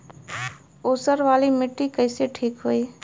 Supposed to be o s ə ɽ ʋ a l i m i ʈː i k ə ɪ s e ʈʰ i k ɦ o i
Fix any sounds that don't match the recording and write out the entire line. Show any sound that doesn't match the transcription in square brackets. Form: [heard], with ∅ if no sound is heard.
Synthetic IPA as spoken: o s ə [ɾ] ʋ a l i m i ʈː i k ə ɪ s e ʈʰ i k ɦ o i